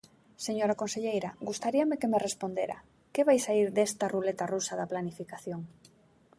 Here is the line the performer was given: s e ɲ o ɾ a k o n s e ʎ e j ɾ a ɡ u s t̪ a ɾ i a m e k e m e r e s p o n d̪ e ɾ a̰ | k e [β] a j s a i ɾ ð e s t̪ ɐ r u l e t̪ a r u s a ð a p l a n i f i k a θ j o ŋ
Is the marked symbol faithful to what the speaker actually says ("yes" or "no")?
yes